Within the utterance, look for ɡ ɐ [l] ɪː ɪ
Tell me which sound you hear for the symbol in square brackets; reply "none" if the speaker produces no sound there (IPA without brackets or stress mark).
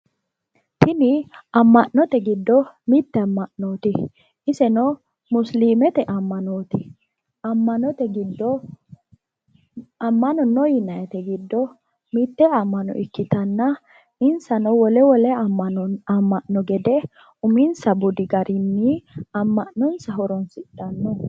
ɾ